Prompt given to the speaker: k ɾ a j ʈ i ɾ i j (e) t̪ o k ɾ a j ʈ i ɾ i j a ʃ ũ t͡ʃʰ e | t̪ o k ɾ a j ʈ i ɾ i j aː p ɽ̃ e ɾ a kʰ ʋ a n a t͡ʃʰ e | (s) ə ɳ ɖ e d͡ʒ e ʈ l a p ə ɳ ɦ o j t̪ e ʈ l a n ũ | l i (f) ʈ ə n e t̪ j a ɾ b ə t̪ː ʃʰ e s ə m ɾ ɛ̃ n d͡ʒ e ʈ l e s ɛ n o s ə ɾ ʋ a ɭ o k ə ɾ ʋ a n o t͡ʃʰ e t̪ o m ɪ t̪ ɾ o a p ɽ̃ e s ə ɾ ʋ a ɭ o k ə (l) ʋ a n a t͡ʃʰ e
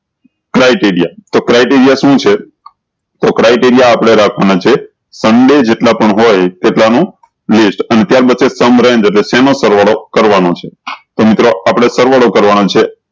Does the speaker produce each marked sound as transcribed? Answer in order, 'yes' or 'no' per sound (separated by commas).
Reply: no, yes, no, no